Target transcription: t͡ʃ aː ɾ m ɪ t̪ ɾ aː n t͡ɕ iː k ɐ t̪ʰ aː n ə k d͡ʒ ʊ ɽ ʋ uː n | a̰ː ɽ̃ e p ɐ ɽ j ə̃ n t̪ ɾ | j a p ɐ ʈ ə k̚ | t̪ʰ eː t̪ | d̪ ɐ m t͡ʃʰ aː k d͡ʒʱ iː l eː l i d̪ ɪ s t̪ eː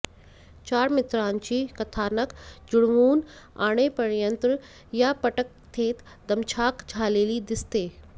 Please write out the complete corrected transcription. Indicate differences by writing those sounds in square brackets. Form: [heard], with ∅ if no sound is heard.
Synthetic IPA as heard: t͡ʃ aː ɾ m ɪ t̪ ɾ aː n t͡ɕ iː k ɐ t̪ʰ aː n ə k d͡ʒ ʊ ɽ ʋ uː n | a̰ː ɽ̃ e p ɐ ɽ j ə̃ n t̪ ɾ | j a p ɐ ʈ ə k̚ | t̪ʰ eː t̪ | d̪ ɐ m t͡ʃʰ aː k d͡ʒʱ [aː] l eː l i d̪ ɪ s t̪ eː

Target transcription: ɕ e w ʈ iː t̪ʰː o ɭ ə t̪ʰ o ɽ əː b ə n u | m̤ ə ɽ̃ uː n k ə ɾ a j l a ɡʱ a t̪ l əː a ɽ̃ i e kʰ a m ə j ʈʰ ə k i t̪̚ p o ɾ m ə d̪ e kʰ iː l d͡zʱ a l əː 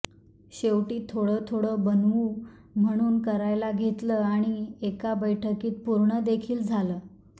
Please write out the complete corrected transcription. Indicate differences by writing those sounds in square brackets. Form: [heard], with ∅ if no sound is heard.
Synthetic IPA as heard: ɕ e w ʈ iː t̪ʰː o [ɽ] ə t̪ʰ o ɽ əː b ə n u | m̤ ə ɽ̃ uː n k ə ɾ a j l a ɡʱ [e] t̪ l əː a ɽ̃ i e [k] a [b] ə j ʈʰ ə k [iː] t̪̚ p [u] ɾ [ɳ] ə d̪ e kʰ iː l d͡zʱ a l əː

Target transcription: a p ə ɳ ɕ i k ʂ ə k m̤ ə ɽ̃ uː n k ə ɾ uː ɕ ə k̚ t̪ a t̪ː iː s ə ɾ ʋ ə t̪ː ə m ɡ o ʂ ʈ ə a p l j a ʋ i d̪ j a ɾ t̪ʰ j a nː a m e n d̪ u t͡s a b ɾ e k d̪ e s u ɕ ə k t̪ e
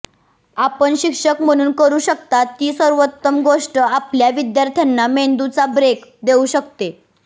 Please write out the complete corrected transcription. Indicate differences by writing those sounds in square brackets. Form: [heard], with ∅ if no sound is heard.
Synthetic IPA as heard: a p ə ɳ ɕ i k ʂ ə k m̤ ə ɽ̃ uː n k ə ɾ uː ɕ ə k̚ t̪ a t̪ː iː s ə ɾ ʋ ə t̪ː ə m ɡ o ʂ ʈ ə a p l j a ʋ i d̪ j a ɾ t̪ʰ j a nː a m e n d̪ u t͡s a b ɾ e k d̪ e [∅] u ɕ ə k t̪ e

